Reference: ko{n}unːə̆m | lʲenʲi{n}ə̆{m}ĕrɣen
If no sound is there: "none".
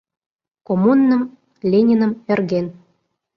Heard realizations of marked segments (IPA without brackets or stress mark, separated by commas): m, n, m